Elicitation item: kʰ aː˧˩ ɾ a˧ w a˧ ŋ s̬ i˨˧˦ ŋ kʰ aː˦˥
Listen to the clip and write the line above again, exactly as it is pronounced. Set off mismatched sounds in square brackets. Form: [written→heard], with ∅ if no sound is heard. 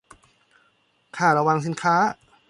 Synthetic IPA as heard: kʰ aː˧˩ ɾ a˧ w a˧ ŋ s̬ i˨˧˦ [ŋ→n] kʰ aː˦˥